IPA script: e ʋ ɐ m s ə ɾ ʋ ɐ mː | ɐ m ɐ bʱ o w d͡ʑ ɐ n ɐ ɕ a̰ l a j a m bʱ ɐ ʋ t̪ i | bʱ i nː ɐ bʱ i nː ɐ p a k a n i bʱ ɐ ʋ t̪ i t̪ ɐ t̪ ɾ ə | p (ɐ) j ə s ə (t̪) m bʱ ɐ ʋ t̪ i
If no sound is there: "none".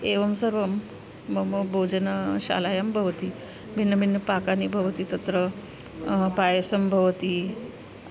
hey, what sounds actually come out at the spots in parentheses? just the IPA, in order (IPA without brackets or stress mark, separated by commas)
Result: a, none